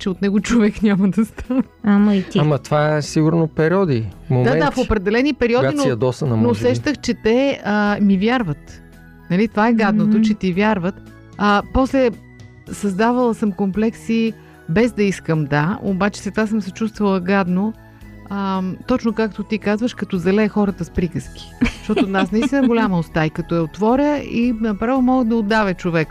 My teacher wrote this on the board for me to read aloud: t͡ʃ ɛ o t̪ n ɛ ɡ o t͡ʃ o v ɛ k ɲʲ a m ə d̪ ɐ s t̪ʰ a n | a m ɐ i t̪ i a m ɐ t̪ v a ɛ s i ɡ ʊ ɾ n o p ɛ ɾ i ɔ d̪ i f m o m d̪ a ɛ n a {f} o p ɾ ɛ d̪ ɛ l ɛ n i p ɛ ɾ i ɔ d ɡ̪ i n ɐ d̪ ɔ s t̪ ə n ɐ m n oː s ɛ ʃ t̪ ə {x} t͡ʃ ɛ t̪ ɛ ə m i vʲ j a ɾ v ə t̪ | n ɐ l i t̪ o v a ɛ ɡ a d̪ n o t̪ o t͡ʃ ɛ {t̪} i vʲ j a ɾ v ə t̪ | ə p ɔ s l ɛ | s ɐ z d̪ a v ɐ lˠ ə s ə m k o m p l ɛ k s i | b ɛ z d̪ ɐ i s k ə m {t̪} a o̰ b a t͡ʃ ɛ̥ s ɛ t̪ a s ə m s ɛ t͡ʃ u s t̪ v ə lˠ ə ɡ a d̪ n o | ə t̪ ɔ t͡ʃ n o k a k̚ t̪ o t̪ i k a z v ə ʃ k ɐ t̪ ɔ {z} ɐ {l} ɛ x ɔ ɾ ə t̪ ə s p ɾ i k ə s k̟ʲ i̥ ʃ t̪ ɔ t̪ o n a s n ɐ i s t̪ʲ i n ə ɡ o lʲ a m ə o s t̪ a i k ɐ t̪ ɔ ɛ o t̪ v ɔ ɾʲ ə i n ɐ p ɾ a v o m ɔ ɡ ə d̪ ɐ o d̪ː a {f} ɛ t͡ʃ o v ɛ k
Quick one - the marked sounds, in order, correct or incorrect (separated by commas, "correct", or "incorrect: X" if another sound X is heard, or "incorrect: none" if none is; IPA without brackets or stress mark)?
correct, correct, correct, incorrect: d̪, correct, correct, incorrect: v